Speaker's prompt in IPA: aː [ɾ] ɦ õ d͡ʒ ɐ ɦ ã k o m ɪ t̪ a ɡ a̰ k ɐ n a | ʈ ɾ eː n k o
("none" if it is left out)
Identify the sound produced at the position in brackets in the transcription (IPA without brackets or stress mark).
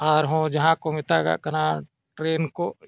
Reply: ɾ